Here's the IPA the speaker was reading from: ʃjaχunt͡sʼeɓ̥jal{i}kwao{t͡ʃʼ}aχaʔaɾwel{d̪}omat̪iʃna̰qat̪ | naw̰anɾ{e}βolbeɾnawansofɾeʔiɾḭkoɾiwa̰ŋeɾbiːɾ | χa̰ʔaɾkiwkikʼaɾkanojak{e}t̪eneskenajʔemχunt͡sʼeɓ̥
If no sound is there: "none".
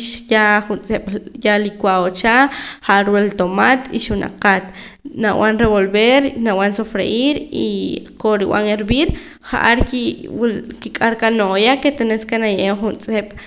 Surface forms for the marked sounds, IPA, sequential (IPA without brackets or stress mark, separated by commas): i, t͡ʃ, t̪, e, e